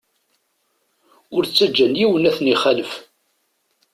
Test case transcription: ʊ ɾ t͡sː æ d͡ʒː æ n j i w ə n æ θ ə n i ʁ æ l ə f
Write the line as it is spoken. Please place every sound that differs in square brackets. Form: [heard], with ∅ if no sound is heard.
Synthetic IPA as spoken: ʊ ɾ t͡sː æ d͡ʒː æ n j i w ə n æ θ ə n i [χ] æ l ə f